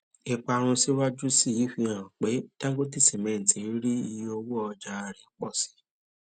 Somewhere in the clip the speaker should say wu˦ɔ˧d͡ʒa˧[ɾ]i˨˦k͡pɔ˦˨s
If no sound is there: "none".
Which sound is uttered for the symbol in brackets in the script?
ɾ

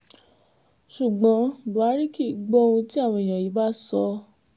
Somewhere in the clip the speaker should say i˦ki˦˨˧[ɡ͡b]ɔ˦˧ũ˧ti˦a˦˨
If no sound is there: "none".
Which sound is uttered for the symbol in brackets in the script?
ɡ͡b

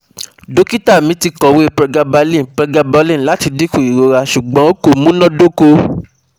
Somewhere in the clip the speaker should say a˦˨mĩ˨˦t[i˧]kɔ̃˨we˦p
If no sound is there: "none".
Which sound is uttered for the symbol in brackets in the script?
i˧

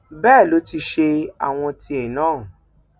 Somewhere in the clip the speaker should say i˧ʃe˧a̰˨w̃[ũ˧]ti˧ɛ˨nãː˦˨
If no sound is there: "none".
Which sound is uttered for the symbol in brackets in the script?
ɔ̃˧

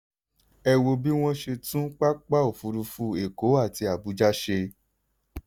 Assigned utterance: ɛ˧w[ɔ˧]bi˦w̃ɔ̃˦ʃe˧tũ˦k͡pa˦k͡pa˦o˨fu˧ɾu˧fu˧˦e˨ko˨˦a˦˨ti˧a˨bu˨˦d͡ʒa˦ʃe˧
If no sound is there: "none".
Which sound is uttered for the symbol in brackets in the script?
o˧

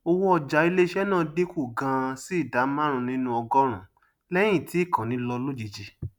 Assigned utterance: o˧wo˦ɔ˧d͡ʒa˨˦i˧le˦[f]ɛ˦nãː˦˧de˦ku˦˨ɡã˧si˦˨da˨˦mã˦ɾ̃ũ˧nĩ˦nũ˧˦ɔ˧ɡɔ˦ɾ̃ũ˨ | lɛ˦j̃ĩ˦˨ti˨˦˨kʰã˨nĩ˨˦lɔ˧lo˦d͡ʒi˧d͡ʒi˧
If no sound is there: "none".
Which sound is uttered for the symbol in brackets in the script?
ʃ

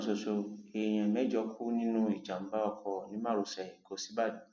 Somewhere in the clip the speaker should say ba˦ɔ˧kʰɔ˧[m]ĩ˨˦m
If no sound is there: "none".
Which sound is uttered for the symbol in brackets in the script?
n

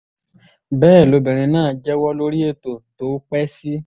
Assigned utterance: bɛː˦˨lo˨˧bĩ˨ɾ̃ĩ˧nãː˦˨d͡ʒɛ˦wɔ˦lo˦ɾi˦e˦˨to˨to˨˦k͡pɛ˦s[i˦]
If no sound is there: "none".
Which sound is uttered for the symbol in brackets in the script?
i˦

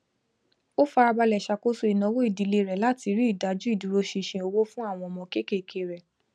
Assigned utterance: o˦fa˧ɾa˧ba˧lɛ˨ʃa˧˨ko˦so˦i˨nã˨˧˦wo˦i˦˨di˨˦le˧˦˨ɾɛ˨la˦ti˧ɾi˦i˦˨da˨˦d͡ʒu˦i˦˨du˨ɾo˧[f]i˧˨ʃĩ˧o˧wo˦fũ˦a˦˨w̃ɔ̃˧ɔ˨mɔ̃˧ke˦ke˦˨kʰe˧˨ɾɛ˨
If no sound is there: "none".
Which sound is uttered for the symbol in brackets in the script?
ʃ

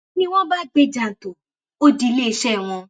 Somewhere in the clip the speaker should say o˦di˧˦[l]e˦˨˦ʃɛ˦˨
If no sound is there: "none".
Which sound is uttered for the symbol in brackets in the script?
l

